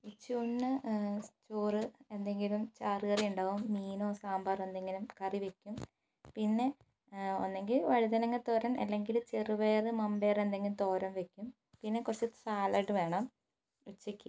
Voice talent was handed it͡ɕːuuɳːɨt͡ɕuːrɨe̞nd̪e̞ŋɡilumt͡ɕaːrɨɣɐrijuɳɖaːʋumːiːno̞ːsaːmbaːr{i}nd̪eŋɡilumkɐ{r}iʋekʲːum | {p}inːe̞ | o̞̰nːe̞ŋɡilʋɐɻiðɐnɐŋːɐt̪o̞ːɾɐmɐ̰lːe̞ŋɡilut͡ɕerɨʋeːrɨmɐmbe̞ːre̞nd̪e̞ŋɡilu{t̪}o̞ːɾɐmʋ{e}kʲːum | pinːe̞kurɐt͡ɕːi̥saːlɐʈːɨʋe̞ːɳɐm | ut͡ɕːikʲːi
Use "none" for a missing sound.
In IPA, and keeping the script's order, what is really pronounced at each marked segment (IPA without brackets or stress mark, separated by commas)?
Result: e, r, p, t̪, e